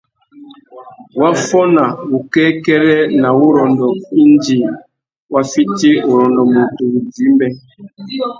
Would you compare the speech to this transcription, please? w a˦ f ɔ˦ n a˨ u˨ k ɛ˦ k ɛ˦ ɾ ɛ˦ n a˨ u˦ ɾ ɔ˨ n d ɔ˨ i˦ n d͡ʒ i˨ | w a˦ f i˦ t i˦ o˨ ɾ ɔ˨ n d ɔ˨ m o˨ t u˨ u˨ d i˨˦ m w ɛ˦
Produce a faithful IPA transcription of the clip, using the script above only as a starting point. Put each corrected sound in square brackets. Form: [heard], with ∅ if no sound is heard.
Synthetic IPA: w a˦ f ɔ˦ n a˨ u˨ k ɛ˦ k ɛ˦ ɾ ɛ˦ n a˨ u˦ ɾ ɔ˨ n d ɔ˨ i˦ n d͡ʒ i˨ | w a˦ f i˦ t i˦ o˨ ɾ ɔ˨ n d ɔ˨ m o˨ t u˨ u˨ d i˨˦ m [b] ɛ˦